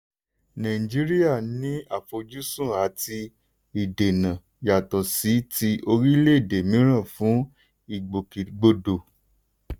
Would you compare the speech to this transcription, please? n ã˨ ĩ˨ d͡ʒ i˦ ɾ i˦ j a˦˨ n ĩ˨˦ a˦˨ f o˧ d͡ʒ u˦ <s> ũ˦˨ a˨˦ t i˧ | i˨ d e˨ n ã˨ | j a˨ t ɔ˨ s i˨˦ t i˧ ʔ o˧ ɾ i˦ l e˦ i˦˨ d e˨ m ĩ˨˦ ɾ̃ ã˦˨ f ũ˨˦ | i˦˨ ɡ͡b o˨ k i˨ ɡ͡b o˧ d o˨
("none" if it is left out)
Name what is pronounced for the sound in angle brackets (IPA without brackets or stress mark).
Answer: s